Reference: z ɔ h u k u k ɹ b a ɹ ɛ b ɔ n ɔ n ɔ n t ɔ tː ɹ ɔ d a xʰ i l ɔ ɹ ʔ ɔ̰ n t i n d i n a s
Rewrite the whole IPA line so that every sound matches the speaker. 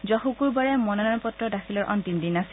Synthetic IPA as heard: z ɔ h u k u ɹ b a ɹ ɛ m ɔ n ɔ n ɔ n p ɔ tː ɹ ɔ d a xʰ i l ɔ ɹ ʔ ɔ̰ n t i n d i n a s